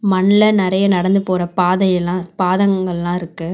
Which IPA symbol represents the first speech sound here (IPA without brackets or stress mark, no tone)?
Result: m